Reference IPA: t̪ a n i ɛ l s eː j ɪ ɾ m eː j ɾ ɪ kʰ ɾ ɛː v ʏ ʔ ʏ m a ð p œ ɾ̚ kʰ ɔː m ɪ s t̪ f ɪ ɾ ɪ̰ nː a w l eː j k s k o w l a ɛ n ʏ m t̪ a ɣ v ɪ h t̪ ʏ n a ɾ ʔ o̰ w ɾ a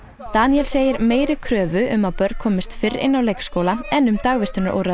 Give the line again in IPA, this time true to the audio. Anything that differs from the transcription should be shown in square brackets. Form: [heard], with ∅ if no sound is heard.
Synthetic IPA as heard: t̪ a n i ɛ l s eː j ɪ ɾ m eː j ɾ ɪ kʰ ɾ [œː] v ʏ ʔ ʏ m a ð p œ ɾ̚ kʰ ɔː m ɪ s t̪ f ɪ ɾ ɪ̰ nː a w l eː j k s k o w l a ɛ n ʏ m t̪ a ɣ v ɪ [s] t̪ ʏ n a ɾ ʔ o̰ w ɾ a